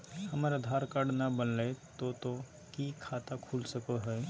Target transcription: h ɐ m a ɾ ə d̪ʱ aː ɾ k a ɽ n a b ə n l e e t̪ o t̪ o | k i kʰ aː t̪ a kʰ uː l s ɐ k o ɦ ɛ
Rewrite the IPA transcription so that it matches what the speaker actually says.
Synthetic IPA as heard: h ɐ m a ɾ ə d̪ʱ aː ɾ k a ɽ n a b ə n l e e t̪ o t̪ o | k i kʰ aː t̪ a kʰ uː l s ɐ k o ɦ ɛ